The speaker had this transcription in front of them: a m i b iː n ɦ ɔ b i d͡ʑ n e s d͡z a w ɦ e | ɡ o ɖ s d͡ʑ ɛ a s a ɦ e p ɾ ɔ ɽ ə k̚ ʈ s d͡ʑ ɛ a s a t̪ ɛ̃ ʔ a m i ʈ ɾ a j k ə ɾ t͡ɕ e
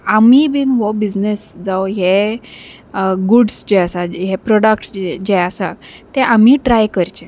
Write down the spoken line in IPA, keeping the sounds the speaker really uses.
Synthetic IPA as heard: a m i b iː n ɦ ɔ b i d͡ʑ n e s d͡z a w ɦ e | ɡ u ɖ s d͡ʑ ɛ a s a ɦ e p ɾ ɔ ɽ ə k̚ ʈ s d͡ʑ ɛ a s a t̪ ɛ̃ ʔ a m i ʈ ɾ a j k ə ɾ t͡ɕ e